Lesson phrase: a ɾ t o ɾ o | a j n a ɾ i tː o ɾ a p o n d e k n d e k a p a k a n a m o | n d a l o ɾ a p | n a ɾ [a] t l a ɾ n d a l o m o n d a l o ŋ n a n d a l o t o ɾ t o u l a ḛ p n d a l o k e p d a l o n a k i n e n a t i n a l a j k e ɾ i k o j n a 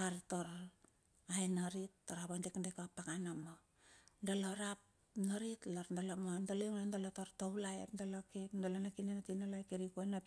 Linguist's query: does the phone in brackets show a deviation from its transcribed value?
yes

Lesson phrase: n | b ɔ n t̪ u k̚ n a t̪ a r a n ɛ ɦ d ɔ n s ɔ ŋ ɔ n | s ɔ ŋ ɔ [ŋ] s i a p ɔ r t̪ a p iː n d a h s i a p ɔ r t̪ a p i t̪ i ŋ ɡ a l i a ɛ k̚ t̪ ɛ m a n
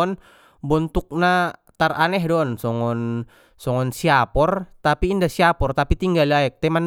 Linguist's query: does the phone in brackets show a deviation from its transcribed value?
yes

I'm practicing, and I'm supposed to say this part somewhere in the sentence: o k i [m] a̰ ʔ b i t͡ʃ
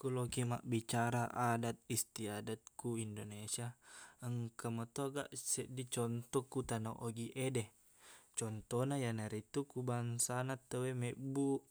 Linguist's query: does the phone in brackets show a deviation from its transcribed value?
no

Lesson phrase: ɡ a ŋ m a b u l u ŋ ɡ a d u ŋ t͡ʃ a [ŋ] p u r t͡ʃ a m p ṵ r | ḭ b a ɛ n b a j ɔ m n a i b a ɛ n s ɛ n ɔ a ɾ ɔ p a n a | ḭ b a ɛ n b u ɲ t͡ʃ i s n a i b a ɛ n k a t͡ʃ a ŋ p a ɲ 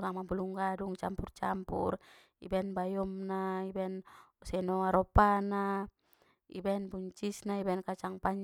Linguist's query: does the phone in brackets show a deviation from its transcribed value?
yes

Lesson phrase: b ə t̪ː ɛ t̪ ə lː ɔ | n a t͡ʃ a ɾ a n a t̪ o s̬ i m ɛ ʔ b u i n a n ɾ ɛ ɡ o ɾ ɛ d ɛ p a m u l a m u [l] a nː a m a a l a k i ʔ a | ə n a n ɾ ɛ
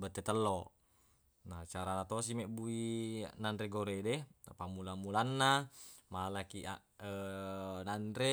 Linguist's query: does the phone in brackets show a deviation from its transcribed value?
no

